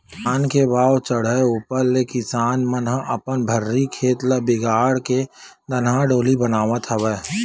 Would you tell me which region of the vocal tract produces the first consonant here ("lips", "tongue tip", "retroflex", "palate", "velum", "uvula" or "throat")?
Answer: tongue tip